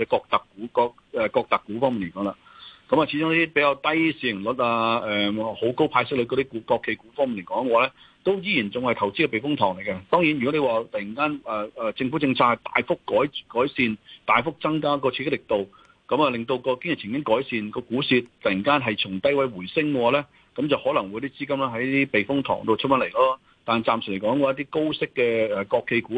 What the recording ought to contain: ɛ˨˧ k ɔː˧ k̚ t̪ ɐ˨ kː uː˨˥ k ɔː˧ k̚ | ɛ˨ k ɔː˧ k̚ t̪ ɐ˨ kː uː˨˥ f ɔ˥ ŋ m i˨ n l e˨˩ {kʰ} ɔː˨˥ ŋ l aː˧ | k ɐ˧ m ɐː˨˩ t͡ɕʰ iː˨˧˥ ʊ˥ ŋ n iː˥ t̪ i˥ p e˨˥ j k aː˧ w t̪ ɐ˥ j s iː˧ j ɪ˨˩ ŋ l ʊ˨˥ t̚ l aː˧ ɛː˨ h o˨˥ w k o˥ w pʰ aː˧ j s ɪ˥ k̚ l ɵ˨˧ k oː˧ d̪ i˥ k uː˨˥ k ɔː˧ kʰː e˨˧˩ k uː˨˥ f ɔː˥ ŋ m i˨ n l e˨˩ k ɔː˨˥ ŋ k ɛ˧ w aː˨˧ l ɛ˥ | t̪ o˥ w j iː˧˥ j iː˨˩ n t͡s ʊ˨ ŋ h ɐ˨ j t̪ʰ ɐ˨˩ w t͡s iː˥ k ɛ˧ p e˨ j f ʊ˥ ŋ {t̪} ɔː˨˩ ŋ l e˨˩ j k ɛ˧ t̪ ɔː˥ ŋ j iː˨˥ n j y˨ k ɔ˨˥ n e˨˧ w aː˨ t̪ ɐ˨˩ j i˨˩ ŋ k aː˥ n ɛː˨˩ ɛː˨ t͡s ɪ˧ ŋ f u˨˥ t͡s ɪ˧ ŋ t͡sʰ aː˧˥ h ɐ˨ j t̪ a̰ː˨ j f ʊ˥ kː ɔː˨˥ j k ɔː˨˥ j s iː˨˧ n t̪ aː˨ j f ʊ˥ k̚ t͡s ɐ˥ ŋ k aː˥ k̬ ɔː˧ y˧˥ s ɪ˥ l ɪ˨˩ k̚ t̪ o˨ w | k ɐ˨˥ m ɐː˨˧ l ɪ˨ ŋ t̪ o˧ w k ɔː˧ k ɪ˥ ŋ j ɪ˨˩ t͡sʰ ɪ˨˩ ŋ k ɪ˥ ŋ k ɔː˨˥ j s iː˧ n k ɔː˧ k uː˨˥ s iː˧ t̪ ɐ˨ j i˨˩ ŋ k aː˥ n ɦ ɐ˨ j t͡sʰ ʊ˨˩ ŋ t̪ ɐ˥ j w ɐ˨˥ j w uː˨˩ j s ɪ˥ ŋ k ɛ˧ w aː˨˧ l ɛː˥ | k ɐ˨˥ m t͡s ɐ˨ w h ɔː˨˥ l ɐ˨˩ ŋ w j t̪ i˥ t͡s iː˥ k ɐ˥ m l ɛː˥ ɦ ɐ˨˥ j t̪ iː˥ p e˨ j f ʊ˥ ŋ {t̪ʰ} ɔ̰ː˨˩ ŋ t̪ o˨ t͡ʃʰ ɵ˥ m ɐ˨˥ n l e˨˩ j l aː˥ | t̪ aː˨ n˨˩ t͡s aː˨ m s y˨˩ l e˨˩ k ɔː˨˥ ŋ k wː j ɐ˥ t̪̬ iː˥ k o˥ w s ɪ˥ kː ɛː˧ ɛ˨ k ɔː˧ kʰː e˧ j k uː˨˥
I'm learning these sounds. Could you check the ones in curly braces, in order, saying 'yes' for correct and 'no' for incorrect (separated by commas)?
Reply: no, no, yes